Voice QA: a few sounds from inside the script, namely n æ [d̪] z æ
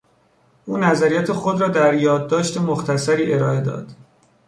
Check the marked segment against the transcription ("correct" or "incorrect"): incorrect